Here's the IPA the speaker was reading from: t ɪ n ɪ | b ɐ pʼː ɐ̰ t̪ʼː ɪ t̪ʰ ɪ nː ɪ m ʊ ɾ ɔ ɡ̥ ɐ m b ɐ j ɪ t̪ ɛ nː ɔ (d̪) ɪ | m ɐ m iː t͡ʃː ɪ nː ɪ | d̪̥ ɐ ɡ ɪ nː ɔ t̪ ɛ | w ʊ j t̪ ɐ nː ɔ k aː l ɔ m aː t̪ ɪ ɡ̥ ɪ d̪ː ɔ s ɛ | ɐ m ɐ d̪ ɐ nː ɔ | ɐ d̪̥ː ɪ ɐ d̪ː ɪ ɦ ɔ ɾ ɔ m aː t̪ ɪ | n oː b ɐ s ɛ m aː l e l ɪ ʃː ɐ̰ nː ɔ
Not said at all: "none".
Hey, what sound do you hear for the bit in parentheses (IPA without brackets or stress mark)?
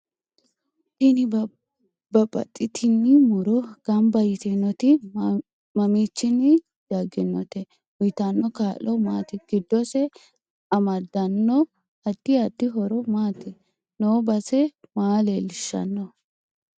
t̪